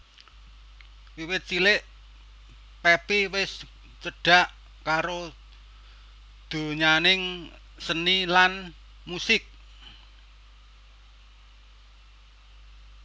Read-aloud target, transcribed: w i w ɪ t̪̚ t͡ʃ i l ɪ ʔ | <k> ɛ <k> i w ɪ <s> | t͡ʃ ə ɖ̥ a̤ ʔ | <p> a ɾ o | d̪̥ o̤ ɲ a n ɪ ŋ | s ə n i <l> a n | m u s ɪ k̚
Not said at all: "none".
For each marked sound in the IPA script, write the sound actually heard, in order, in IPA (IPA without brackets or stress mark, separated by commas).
p, p, s, k, l